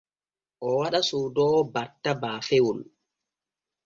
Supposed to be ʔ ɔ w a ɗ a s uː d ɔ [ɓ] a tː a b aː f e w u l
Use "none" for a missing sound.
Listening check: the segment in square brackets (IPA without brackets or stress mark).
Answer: b